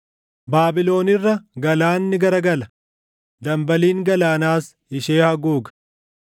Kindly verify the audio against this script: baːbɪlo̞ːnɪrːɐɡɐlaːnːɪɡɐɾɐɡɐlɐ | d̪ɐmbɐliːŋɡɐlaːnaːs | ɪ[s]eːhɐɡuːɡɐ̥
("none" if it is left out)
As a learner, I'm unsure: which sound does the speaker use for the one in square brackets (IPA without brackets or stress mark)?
ʃ